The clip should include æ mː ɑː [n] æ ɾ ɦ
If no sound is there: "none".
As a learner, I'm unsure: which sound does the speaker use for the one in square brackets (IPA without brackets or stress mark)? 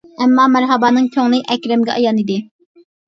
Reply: m